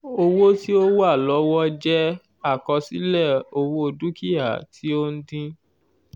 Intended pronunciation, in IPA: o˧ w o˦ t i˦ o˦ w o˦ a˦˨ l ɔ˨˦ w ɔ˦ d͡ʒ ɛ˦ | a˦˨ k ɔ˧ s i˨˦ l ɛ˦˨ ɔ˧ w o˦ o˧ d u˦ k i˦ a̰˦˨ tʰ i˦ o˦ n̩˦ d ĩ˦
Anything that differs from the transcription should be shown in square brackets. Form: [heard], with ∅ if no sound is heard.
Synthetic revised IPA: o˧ w o˦ t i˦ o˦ w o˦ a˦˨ l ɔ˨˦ w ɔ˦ d͡ʒ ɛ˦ | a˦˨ k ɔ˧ s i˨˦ l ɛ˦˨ [o˧] w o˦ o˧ d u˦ k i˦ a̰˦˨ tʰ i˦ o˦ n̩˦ d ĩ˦